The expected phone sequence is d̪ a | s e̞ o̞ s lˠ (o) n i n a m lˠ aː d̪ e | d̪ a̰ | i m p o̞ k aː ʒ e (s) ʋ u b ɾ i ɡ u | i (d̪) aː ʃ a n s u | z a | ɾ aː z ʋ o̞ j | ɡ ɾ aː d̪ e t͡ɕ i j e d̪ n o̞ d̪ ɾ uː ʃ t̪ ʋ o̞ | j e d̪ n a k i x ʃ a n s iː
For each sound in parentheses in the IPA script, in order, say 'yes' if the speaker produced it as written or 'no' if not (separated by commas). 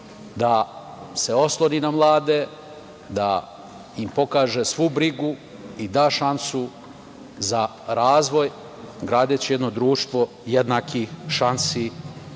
yes, yes, yes